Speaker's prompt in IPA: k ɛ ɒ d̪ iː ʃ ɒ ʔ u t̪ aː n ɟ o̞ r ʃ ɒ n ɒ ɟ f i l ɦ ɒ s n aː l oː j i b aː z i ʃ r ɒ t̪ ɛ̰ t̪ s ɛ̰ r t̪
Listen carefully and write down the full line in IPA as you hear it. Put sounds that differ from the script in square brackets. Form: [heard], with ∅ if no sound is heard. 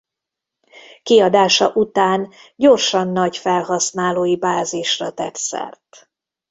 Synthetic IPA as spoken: k [i] ɒ d̪ [aː] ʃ ɒ ʔ u t̪ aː n ɟ o̞ r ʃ ɒ [nː] ɒ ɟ f [ɛ] l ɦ ɒ s n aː l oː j i b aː z i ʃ r ɒ t̪ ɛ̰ t̪ s ɛ̰ r t̪